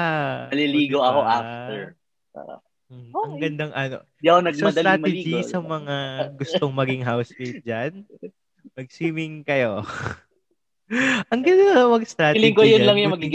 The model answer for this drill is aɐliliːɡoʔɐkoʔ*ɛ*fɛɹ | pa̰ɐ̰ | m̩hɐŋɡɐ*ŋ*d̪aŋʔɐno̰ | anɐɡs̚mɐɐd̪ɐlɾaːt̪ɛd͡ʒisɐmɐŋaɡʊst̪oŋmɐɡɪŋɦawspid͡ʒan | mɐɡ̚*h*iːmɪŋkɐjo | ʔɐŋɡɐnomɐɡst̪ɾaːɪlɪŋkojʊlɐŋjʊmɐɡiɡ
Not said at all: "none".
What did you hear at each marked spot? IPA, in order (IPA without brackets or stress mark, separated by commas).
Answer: a, n, s